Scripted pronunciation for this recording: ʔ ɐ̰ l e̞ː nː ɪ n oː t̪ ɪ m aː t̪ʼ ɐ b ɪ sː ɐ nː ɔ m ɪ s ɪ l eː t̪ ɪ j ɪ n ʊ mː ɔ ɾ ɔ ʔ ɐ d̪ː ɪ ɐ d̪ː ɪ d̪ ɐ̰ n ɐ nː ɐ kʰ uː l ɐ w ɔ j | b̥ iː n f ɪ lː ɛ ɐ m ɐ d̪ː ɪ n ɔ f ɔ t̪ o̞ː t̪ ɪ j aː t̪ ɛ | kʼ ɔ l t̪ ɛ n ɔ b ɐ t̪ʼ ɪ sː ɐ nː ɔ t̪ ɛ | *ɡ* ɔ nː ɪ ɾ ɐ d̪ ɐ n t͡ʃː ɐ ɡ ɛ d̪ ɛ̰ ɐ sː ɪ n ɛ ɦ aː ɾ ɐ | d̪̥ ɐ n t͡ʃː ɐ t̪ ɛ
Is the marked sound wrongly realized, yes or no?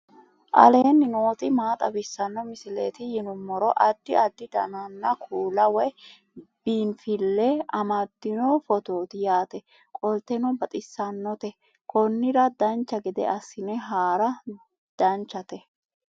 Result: yes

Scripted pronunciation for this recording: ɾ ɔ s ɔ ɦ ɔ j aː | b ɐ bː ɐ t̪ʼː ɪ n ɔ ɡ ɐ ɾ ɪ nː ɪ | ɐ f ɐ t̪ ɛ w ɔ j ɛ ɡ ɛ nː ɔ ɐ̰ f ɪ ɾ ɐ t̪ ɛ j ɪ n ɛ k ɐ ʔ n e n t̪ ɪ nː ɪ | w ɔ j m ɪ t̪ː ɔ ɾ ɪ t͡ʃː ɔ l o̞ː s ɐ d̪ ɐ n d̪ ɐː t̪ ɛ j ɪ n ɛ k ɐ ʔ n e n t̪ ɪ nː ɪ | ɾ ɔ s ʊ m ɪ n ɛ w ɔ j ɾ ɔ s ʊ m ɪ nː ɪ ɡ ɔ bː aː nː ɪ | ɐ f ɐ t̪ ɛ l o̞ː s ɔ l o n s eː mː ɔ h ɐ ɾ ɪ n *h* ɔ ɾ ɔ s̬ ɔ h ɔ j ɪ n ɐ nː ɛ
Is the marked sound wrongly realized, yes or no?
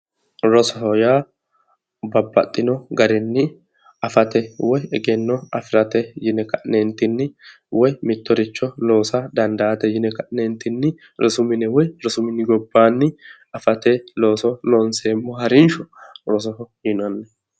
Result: yes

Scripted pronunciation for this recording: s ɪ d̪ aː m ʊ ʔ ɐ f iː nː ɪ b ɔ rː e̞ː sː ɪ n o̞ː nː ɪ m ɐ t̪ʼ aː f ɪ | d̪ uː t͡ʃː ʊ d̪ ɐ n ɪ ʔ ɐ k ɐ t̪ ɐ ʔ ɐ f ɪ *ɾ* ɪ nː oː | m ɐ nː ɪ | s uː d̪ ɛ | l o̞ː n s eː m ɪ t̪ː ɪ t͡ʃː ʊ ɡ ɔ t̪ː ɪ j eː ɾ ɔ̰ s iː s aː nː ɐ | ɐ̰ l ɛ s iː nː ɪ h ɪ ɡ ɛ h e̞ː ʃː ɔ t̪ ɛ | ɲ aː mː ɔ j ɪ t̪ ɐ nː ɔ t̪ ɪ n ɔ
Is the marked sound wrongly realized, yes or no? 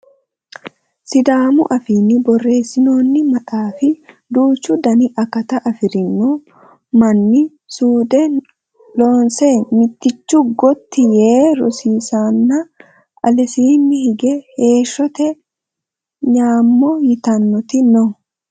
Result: no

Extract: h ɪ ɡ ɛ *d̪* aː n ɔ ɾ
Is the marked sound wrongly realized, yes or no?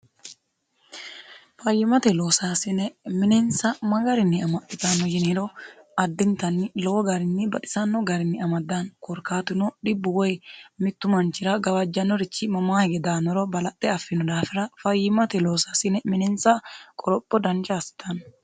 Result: no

